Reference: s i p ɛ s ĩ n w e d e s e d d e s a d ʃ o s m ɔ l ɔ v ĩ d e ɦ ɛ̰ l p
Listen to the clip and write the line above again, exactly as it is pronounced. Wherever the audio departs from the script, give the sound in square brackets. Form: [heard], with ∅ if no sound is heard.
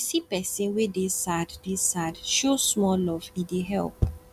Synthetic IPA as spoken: s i p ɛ s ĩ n w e d e s [a] d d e s a d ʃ o s m ɔ l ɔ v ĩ d e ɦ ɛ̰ l p